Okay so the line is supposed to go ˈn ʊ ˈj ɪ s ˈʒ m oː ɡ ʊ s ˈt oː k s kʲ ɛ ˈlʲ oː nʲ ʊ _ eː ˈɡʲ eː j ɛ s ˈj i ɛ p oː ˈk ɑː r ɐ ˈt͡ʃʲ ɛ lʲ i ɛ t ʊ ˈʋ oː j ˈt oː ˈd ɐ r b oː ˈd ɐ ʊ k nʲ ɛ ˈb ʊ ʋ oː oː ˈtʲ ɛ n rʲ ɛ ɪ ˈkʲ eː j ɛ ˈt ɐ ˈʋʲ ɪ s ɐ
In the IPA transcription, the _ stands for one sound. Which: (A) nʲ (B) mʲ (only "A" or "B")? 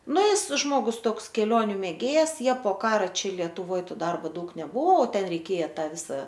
B